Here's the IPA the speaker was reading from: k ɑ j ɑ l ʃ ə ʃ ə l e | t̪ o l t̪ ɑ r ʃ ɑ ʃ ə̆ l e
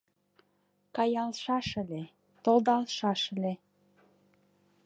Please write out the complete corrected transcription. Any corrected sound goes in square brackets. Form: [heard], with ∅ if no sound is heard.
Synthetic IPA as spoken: k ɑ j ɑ l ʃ [ɑ] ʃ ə l e | t̪ o l [d̪] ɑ [l] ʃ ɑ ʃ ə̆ l e